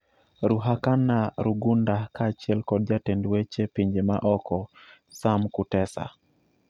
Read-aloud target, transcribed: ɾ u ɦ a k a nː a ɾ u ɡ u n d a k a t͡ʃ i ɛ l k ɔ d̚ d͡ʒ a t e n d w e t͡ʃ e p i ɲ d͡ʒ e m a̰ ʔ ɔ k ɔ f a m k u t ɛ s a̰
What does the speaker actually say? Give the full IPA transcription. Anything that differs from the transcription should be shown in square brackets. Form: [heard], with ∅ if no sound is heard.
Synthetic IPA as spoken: ɾ u ɦ a k a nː a ɾ u ɡ u n d a k a t͡ʃ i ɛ l k ɔ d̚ d͡ʒ a t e n d w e t͡ʃ e p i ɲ d͡ʒ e m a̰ ʔ ɔ k ɔ [s] a m k u t ɛ s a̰